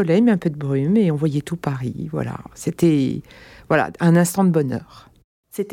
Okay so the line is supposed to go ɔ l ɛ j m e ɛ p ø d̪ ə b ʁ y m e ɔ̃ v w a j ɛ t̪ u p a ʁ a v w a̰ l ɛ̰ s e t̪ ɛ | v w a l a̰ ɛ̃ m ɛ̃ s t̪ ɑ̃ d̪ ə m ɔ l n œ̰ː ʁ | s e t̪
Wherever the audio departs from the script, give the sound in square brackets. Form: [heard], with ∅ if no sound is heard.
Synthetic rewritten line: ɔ l ɛ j m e [ɛ̃] p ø d̪ ə b ʁ y m e ɔ̃ v w a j ɛ t̪ u p a ʁ [i] v w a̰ l [a̰] s e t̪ ɛ | v w a l a̰ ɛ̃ [n] ɛ̃ s t̪ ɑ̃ d̪ ə [b] ɔ [∅] n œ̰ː ʁ | s e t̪